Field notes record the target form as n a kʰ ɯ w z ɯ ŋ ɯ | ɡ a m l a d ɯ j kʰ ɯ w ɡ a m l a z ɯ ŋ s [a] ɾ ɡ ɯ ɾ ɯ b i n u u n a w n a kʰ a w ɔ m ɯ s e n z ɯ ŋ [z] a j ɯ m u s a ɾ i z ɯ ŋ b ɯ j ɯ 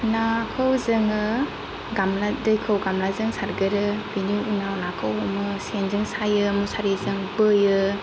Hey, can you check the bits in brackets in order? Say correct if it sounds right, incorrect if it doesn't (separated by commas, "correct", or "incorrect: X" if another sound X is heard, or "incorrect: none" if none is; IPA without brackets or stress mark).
correct, incorrect: s